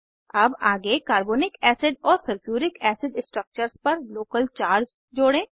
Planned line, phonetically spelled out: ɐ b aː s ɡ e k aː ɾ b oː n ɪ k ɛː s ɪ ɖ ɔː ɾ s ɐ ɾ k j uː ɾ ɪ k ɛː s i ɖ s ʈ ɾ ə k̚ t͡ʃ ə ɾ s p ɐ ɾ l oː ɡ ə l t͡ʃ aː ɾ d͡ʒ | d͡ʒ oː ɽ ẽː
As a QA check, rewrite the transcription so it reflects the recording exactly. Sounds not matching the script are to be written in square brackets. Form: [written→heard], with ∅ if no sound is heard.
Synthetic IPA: ɐ b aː [s→∅] ɡ e k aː ɾ b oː n ɪ k ɛː s ɪ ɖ ɔː ɾ s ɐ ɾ k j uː ɾ ɪ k ɛː s [i→ɪ] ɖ s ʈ ɾ ə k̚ t͡ʃ ə ɾ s p ɐ ɾ l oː [ɡ→k] ə l t͡ʃ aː ɾ d͡ʒ | d͡ʒ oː ɽ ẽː

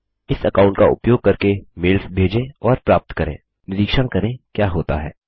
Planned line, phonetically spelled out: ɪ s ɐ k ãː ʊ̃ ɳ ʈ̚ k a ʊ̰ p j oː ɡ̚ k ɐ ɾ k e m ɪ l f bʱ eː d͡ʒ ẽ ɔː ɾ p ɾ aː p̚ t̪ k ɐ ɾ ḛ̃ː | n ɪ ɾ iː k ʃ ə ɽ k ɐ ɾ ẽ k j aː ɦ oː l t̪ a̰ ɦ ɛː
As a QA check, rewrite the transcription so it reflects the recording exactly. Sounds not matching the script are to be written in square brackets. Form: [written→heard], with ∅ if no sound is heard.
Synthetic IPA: ɪ s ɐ k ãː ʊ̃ ɳ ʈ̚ k a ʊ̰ p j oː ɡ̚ k ɐ ɾ k e m ɪ l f bʱ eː d͡ʒ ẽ ɔː ɾ p ɾ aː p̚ t̪ k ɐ ɾ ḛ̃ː | n ɪ ɾ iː k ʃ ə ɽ k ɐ ɾ ẽ k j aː ɦ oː [l→∅] t̪ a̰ ɦ ɛː

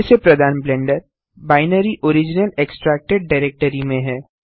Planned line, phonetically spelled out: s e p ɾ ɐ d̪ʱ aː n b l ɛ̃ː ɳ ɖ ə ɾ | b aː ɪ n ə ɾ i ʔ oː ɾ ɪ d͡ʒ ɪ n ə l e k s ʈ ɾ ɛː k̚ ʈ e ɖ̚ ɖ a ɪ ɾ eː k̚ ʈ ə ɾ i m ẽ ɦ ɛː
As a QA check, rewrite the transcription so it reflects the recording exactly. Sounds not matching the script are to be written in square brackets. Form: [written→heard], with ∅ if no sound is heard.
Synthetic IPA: s e p ɾ ɐ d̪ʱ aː n b l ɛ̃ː ɳ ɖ ə ɾ | b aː ɪ n ə ɾ i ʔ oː ɾ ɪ d͡ʒ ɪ n ə l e k s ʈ ɾ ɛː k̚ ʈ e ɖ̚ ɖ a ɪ ɾ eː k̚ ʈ ə ɾ i m ẽ ɦ ɛː

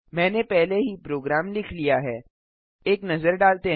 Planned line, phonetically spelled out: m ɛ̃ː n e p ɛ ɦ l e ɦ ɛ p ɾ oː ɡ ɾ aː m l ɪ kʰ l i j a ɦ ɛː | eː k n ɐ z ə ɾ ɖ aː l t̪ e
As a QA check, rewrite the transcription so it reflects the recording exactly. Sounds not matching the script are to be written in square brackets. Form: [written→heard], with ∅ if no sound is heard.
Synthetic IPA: m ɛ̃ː n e p ɛ ɦ l e ɦ [ɛ→i] p ɾ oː ɡ ɾ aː m l ɪ kʰ l i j a ɦ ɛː | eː k n ɐ z ə ɾ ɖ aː l t̪ e

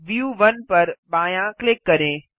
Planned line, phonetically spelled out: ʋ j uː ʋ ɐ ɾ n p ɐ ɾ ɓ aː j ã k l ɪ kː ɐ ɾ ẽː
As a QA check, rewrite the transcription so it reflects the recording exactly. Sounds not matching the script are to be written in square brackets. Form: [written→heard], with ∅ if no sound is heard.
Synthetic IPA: ʋ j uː ʋ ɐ [ɾ→∅] n p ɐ ɾ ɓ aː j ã k l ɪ kː ɐ ɾ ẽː

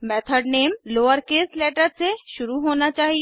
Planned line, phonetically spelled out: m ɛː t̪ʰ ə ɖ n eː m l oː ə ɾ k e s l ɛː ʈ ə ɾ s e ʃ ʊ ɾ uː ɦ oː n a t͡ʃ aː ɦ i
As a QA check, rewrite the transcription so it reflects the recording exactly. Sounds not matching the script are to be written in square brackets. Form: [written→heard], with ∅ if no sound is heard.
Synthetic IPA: m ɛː t̪ʰ ə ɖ n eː m l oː ə ɾ k e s l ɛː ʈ ə ɾ s e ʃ ʊ ɾ [uː→u] ɦ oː n a t͡ʃ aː ɦ i

